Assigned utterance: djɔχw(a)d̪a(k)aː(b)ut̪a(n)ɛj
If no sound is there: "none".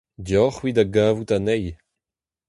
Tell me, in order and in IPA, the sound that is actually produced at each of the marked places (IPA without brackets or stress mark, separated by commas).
i, ɡ, v, n